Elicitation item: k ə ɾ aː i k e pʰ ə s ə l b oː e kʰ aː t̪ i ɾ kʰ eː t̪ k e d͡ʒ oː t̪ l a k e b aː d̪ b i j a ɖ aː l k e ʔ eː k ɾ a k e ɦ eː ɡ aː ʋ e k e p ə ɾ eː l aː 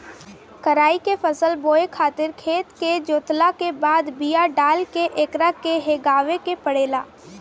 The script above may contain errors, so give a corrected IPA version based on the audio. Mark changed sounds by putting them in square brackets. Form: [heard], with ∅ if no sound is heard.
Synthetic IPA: k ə ɾ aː i k e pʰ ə s ə l b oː e kʰ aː t̪ [ɪ] ɾ kʰ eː t̪ k e d͡ʒ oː t̪ l a k e b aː d̪ b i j a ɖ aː l k e ʔ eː k ɾ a k e ɦ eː ɡ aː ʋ e k e p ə [ɽ] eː l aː